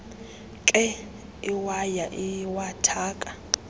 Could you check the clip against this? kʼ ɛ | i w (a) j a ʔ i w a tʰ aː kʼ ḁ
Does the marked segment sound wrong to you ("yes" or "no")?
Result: no